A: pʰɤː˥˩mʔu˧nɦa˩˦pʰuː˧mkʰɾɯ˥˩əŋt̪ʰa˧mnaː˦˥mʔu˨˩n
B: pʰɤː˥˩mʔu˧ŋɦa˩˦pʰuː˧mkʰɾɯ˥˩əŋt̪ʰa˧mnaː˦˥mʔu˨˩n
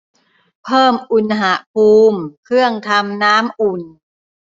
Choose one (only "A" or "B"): A